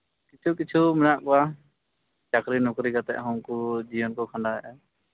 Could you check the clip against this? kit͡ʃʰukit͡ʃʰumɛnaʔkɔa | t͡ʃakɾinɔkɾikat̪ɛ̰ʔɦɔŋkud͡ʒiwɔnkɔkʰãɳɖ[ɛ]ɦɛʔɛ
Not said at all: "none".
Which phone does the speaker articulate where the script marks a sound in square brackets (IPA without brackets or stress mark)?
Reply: a